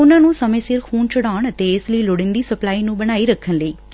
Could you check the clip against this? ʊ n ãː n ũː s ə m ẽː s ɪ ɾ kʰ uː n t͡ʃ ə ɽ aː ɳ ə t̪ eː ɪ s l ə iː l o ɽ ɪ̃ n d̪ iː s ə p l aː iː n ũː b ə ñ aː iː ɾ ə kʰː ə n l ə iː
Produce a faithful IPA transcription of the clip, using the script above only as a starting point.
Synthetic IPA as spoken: ʊ n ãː n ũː s ə m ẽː s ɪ ɾ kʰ uː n t͡ʃ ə ɽ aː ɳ ə t̪ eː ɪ s l ə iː l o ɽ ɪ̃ n d̪ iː s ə p l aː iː n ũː b ə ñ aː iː ɾ ə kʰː ə n l ə iː

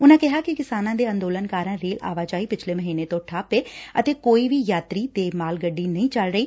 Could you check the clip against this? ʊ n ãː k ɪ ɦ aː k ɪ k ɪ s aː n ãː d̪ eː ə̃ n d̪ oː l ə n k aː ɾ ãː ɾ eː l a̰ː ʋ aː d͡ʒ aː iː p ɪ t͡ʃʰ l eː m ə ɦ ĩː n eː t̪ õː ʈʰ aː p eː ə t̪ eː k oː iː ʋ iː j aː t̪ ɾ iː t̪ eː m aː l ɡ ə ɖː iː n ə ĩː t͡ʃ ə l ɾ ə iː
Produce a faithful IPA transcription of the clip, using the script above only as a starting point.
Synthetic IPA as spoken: ʊ n ãː k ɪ ɦ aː k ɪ k ɪ s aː n ãː d̪ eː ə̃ n d̪ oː l ə n k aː ɾ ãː ɾ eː l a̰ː ʋ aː d͡ʒ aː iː p ɪ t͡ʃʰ l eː m ə ɦ iː n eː t̪ õː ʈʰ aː p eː ə t̪ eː k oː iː ʋ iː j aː t̪ ɾ iː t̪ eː m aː l ɡ ə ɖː iː n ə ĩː t͡ʃ ə l ɾ ə iː

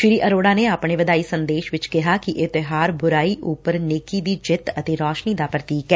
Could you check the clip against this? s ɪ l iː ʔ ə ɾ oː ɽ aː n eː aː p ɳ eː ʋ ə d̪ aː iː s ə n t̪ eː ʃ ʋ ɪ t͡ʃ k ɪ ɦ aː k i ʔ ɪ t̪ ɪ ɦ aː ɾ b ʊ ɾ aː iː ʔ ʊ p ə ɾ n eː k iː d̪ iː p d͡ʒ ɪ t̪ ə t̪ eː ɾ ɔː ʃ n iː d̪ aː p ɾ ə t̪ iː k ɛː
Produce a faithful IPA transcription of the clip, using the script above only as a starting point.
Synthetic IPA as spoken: ʃ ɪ ɾ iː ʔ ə ɾ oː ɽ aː n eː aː p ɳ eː ʋ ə d̪ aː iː s ə n d̪ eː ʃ ʋ ɪ t͡ʃ k ɪ ɦ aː k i ʔ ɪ t̪ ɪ ɦ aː ɾ b ʊ ɾ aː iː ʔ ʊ p ə ɾ n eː k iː d̪ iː d͡ʒ ɪ t̪ ə t̪ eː ɾ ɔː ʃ n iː d̪ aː p ɾ ə t̪ iː k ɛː

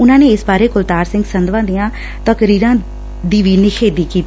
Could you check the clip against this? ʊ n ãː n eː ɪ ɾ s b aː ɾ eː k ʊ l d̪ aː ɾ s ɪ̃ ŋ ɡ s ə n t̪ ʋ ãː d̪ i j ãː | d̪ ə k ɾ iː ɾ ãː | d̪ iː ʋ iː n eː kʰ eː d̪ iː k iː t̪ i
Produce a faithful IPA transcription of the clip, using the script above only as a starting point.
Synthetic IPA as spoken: ʊ n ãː n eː ɪ s b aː ɾ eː k ʊ l t̪ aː ɾ s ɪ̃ ŋ ɡ s ə n d̪ ʋ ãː d̪ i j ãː | t̪ ə k ɾ iː ɾ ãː | d̪ iː ʋ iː n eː kʰ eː d̪ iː k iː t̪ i

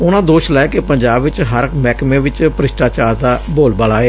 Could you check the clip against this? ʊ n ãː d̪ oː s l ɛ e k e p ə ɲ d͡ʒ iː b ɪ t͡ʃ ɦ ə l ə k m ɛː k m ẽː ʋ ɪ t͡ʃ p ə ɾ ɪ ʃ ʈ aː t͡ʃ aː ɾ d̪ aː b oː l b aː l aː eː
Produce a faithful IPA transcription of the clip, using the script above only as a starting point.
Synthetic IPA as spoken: ʊ n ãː d̪ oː ʃ l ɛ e k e p ə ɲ d͡ʒ aː b ɪ t͡ʃ ɦ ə ɾ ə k m ɛː k m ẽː ʋ ɪ t͡ʃ p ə ɾ ɪ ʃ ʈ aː t͡ʃ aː ɾ d̪ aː b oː l b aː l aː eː

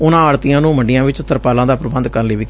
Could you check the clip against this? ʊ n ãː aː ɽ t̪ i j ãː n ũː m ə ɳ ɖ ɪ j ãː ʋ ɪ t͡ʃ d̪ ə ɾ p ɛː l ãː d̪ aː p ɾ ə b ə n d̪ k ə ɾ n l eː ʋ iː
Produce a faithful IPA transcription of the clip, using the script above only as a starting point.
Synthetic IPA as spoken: ʊ n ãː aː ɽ t̪ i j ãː n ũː m ə ɳ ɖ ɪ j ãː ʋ ɪ t͡ʃ t̪ ə ɾ p aː l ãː d̪ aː p ɾ ə b ə n d̪ k ə ɾ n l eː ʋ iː

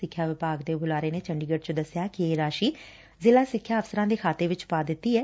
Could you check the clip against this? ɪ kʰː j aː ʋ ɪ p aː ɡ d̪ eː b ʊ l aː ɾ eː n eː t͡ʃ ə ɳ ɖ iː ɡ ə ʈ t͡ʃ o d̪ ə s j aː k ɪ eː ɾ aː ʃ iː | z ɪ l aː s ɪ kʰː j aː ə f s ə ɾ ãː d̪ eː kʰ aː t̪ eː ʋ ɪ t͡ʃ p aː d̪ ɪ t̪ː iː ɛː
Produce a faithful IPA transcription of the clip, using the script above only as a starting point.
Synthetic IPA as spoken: ɪ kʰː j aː ʋ ɪ p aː ɡ d̪ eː b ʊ l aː ɾ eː n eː t͡ʃ ə ɳ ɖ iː ɡ ə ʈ t͡ʃ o d̪ ə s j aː k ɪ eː ɾ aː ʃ iː | z ɪ l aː s ɪ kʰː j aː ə f s ə ɾ ãː d̪ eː kʰ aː t̪ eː ʋ ɪ t͡ʃ p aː d̪ ɪ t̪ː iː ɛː

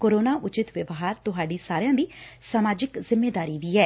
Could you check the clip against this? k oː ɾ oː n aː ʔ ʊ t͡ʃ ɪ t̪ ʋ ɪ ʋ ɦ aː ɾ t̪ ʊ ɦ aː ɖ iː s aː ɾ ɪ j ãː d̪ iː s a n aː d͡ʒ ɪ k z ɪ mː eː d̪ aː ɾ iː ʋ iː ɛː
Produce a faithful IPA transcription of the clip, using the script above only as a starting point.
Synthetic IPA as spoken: k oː ɾ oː n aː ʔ ʊ t͡ʃ ɪ t̪ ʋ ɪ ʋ ɦ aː ɾ t̪ ʊ ɦ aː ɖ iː s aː ɾ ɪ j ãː d̪ iː s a m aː d͡ʒ ɪ k z ɪ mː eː d̪ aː ɾ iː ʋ iː ɛː

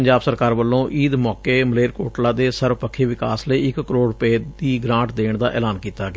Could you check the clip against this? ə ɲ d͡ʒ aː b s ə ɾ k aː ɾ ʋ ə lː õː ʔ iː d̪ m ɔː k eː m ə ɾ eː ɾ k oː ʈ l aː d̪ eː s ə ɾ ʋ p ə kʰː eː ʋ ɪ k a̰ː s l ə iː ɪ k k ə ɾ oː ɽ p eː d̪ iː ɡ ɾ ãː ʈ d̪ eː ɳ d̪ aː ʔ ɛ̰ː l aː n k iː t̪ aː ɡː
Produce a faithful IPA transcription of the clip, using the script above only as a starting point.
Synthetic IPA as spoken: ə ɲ d͡ʒ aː b s ə ɾ k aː ɾ ʋ ə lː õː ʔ iː d̪ m ɔː k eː m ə l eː ɾ k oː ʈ l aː d̪ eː s ə ɾ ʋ p ə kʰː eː ʋ ɪ k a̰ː s l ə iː ɪ k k ə ɾ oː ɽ p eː d̪ iː ɡ ɾ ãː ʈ d̪ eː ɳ d̪ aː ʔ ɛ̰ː l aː n k iː t̪ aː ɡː

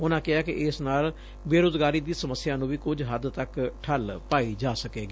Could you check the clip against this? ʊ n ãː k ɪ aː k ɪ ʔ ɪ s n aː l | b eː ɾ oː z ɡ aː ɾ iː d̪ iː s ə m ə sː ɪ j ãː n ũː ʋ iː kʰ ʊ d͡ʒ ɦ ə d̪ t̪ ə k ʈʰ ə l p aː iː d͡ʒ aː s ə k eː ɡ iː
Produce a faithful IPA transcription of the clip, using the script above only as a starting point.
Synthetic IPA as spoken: ʊ n ãː k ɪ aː k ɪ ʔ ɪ s n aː l | b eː ɾ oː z ɡ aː ɾ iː d̪ iː s ə m ə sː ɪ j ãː n ũː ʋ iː k ʊ d͡ʒ ɦ ə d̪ t̪ ə k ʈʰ ə l p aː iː d͡ʒ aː s ə k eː ɡ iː

